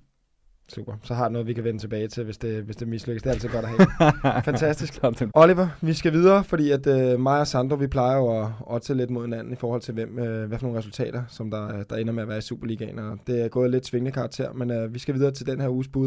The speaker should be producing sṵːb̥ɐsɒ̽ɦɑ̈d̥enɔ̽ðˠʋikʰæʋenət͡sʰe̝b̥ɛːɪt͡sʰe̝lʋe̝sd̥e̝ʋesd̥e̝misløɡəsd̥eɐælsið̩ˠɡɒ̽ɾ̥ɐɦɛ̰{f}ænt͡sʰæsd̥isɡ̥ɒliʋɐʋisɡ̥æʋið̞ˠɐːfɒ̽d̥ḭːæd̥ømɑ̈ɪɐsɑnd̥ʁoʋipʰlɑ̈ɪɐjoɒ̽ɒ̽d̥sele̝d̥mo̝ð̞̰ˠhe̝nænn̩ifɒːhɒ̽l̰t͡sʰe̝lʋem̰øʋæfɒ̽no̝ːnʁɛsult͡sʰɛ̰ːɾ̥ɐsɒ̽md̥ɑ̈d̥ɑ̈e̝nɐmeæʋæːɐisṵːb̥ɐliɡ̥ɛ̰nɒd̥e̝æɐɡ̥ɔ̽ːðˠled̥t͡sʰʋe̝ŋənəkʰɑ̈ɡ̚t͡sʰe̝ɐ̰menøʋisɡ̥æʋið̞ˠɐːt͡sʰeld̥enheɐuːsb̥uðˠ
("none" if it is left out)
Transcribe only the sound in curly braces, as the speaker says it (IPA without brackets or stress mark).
f